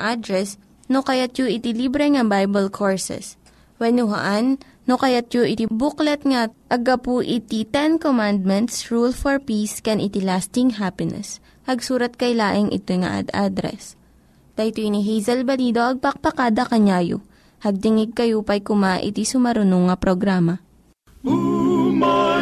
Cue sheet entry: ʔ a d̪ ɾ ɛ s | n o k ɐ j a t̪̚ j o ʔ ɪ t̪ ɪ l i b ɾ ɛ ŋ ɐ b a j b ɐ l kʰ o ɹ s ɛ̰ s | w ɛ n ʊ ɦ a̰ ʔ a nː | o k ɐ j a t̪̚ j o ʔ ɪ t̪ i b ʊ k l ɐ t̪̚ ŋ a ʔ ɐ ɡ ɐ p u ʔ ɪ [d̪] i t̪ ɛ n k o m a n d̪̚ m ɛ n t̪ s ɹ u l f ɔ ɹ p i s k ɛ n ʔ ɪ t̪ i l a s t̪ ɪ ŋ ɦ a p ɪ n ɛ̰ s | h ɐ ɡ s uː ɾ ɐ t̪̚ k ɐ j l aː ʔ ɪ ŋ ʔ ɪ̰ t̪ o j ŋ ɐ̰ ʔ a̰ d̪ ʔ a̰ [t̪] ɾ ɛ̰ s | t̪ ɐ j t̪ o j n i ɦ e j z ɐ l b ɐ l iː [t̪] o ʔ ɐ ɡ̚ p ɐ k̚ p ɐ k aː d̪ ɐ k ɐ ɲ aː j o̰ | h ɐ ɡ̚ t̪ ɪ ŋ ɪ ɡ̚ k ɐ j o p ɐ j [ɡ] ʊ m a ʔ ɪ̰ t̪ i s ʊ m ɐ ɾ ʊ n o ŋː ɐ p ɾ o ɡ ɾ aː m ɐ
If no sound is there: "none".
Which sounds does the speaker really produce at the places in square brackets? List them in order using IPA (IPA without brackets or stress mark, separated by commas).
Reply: t̪, d̪, d̪, k